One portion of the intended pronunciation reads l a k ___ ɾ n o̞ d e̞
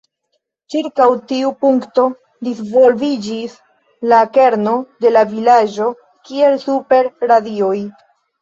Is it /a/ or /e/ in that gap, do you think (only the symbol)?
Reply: e